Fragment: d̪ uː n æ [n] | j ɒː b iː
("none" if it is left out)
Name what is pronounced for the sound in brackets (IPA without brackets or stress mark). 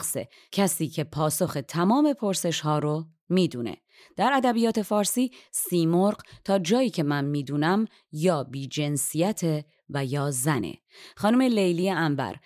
m